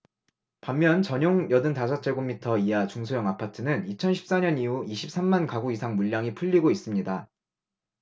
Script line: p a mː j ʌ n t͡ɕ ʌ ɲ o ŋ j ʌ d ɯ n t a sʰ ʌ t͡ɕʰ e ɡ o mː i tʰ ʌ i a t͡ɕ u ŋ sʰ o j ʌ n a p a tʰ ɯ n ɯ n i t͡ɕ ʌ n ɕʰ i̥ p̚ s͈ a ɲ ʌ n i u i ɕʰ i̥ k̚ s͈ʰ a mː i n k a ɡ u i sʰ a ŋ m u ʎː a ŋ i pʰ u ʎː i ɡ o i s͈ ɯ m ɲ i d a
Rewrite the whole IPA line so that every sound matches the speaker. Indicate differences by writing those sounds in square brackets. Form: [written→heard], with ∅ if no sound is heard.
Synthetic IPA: p a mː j ʌ n t͡ɕ ʌ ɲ o ŋ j ʌ d ɯ n t a sʰ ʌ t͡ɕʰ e ɡ o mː i tʰ ʌ i a t͡ɕ u ŋ sʰ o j ʌ [n→ŋ] a [p→pʰ] a tʰ ɯ n ɯ n i [t͡ɕ→t͡ɕʰ] ʌ n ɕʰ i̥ p̚ s͈ a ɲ ʌ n i u i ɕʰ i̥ [k̚→p̚] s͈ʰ a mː [i→a] n k a ɡ u i sʰ a ŋ m u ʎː a ŋ i pʰ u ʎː i ɡ o i s͈ ɯ m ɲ i d a